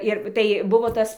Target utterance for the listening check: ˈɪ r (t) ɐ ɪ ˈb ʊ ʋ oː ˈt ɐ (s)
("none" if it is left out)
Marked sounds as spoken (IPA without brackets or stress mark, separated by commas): t, s